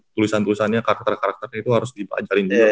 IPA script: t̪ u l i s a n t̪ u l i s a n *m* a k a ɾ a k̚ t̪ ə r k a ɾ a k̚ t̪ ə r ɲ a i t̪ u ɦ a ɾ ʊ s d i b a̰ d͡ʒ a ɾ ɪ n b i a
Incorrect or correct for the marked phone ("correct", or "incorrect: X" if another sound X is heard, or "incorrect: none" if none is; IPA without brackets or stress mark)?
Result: incorrect: ɲ